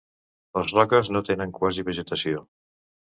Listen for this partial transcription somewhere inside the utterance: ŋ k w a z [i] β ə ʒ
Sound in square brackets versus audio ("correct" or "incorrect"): correct